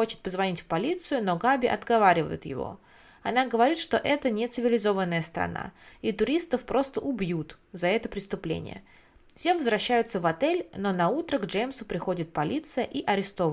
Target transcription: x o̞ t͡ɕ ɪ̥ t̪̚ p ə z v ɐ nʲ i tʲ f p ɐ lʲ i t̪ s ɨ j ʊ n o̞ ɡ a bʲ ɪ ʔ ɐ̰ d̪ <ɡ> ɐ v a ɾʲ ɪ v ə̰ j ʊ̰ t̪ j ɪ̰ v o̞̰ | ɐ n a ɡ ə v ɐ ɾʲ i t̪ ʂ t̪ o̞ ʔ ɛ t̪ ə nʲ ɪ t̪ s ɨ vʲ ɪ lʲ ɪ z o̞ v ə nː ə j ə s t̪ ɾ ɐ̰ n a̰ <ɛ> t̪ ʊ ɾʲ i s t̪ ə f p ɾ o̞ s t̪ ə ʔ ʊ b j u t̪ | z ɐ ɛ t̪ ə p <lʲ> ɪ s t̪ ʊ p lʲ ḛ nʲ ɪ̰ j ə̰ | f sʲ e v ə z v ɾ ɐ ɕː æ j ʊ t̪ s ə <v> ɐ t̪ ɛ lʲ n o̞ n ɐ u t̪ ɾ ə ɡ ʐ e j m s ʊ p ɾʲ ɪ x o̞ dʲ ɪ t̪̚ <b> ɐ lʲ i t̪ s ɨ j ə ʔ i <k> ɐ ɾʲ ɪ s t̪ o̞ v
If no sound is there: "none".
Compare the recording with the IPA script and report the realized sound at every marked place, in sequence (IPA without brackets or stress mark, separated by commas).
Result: ɡ, i, ɾʲ, v, p, ʔ